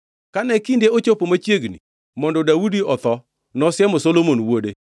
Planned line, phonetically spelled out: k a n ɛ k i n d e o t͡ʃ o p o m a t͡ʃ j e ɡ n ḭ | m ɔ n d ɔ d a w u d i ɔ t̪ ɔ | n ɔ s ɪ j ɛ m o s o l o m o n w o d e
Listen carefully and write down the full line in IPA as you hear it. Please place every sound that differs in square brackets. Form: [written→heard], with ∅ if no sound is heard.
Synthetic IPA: k a n ɛ k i n d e o t͡ʃ o p o m a t͡ʃ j e ɡ n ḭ | m ɔ n d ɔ d a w u d i ɔ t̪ ɔ | n ɔ s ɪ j ɛ m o s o l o m o n w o d e